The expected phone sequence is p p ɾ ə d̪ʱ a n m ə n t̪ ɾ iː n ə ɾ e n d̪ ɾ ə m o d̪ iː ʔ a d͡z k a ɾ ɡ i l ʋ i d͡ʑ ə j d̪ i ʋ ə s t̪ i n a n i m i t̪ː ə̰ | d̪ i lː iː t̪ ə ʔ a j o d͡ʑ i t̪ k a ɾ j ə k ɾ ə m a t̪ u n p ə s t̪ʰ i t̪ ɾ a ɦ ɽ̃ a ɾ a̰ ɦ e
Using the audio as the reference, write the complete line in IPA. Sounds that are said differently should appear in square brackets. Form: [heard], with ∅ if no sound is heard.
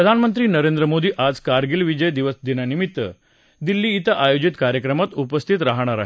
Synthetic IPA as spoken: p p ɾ ə d̪ʱ a n m ə n t̪ ɾ iː n ə ɾ e n d̪ ɾ ə m o d̪ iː ʔ a d͡z k a ɾ ɡ i l ʋ i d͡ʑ ə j d̪ i ʋ ə s [d̪] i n a n i m i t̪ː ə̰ | d̪ i lː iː t̪ ə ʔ a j o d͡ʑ i t̪ k a ɾ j ə k ɾ ə m a t̪ u [∅] p ə s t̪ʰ i t̪ ɾ a ɦ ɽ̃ a ɾ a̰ ɦ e